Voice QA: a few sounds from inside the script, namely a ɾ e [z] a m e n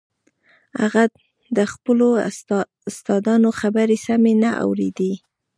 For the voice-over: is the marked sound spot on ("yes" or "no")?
no